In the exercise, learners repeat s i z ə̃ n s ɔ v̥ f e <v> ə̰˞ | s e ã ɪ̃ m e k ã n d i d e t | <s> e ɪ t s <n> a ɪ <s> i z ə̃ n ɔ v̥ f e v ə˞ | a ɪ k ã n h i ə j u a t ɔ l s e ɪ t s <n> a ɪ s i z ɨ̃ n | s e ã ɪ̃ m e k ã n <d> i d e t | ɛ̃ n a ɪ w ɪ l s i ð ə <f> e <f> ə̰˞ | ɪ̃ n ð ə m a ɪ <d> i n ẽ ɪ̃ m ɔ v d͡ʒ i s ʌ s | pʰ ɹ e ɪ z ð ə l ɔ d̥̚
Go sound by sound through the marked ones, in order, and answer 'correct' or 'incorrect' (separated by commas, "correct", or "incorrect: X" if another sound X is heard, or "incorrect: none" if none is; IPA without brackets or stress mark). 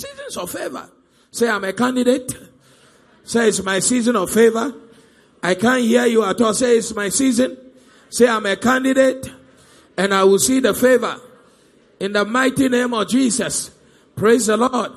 correct, correct, incorrect: m, correct, incorrect: m, correct, correct, incorrect: v, incorrect: t